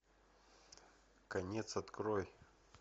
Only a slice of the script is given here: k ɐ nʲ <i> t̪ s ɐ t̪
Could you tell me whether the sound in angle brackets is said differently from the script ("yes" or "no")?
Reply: yes